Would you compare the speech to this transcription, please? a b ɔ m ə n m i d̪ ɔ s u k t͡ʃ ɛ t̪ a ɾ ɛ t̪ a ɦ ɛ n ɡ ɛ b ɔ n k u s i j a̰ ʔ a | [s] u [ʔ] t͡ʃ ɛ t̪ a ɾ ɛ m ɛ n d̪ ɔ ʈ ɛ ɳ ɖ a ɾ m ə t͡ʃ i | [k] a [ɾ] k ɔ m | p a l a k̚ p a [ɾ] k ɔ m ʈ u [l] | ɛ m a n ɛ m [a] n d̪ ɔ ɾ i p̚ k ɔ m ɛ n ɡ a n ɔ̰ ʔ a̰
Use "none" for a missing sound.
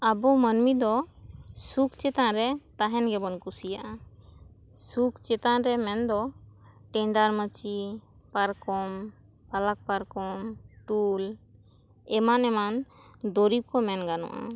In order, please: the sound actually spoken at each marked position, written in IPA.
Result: s, k, p, ɾ, ɾ, l, a

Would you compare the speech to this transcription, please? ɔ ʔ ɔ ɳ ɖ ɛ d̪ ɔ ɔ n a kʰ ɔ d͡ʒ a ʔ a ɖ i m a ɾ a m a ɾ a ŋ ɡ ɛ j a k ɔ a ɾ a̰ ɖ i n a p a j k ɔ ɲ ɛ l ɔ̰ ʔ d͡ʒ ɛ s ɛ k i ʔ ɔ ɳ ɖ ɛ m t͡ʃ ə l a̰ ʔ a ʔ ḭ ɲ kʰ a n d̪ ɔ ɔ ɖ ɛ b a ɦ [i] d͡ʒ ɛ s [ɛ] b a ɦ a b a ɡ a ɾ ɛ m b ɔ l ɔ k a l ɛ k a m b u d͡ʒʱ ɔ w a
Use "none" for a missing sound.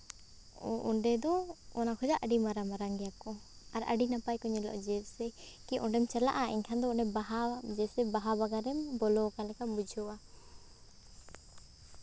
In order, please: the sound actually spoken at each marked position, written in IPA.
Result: a, ɛ

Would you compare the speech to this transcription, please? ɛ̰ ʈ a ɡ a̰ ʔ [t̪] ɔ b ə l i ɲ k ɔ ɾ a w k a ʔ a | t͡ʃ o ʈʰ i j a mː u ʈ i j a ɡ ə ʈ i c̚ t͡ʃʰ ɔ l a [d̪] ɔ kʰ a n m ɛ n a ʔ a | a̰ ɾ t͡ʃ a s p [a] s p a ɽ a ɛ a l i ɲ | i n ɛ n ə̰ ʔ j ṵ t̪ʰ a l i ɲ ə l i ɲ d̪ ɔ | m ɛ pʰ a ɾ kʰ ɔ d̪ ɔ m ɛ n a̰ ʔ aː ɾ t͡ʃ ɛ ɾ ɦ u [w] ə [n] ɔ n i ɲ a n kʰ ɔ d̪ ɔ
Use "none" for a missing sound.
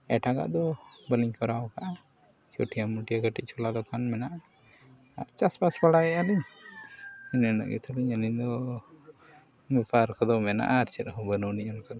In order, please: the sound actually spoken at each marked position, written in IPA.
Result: d̪, d̪, a, b, n

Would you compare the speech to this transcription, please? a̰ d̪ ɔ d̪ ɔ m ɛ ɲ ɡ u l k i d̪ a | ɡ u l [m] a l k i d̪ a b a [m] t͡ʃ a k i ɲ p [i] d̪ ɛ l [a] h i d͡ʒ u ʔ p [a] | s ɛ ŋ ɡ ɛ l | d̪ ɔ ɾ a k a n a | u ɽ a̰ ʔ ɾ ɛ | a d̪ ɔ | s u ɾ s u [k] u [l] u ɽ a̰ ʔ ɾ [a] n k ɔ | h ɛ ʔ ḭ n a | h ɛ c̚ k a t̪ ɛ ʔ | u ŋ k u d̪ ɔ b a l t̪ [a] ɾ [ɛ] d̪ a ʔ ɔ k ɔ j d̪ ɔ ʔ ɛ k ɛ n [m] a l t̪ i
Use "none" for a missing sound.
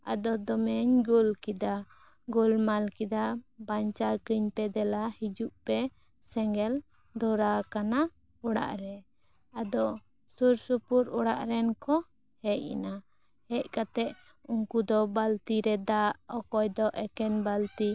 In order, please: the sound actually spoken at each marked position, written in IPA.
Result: m, ɲ, ɛ, a, ɛ, p, ɾ, ɛ, i, ɛ, b

